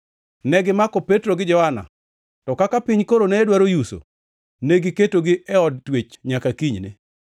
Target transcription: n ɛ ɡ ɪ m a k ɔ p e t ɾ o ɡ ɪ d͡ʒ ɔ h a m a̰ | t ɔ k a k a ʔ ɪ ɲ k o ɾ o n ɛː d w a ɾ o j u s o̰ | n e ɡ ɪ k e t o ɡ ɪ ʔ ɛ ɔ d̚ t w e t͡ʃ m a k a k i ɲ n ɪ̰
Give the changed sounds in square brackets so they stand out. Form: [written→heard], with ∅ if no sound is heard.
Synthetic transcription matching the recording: n ɛ ɡ ɪ m a k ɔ p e t ɾ o ɡ ɪ d͡ʒ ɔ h a [m→n] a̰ | t ɔ k a k a [ʔ→p] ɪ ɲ k o ɾ o n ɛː d w a ɾ o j u s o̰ | n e ɡ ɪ k e t o ɡ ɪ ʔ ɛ ɔ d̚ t w e t͡ʃ [m→ɲ] a k a k i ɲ n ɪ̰